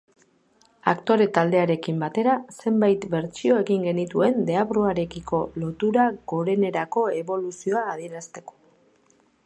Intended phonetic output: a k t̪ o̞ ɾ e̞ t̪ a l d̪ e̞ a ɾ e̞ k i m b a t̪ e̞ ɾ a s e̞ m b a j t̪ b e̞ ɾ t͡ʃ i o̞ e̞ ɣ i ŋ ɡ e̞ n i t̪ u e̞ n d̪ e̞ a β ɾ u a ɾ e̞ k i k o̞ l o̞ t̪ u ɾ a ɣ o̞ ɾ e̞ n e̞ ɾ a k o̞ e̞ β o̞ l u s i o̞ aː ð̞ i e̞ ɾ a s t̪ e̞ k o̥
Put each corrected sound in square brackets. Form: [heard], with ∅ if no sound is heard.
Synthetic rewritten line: a k t̪ o̞ ɾ e̞ t̪ a l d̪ e̞ a ɾ e̞ k i m b a t̪ e̞ ɾ a s e̞ m b a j t̪ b e̞ ɾ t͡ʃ i o̞ e̞ ɣ i ŋ ɡ e̞ n i t̪ u e̞ n d̪ e̞ a β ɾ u a ɾ e̞ k i k o̞ l o̞ t̪ u ɾ a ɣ o̞ ɾ e̞ n e̞ ɾ a k o̞ e̞ β o̞ l u s i o̞ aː ð̞ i e̞ ɾ a s t̪ e̞ k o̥